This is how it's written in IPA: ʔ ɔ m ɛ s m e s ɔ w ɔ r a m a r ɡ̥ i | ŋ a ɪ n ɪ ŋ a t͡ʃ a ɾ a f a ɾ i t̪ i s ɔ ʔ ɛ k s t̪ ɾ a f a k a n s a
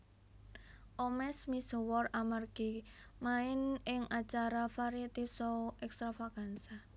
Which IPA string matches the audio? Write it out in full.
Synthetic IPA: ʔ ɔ m ɛ s m i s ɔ w ɔ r a m a r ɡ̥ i | m a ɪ n ɪ ŋ a t͡ʃ a ɾ a f a ɾ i t̪ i s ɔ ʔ ɛ k s t̪ ɾ a f a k a n s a